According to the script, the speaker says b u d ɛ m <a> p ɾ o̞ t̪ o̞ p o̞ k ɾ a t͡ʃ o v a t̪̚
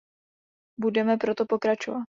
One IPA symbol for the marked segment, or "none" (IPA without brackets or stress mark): ɛ